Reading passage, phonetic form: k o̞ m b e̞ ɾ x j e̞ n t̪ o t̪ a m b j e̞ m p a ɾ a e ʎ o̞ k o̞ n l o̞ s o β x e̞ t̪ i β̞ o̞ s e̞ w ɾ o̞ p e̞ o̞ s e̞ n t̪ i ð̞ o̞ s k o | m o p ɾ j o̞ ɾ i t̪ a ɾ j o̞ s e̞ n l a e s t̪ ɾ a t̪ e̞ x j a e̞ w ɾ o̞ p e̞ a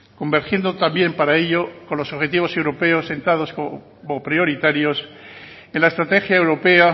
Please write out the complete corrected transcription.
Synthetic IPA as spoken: k o̞ m b e̞ ɾ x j e̞ n d̪ o t̪ a m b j e̞ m p a ɾ a e ʎ o̞ k o̞ n l o̞ s o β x e̞ t̪ i β̞ o̞ s e̞ w ɾ o̞ p e̞ o̞ s e̞ n t̪ a ð̞ o̞ s k o | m o p ɾ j o̞ ɾ i t̪ a ɾ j o̞ s e̞ n l a e s t̪ ɾ a t̪ e̞ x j a e̞ w ɾ o̞ p e̞ a